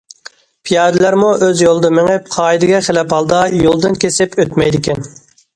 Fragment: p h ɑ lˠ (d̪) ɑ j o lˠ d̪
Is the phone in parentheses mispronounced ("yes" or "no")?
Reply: no